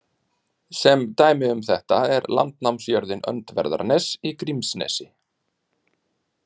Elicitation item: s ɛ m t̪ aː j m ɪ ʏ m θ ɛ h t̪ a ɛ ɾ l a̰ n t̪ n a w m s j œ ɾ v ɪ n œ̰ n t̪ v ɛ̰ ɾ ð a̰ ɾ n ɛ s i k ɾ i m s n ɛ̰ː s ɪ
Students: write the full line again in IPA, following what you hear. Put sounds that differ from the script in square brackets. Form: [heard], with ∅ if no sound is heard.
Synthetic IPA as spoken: s ɛ m t̪ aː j m ɪ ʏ m θ ɛ h t̪ a ɛ ɾ l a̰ n t̪ n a w m s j œ ɾ [ð] ɪ n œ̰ n t̪ v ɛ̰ ɾ ð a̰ ɾ n ɛ s i k ɾ i m s n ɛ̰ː s ɪ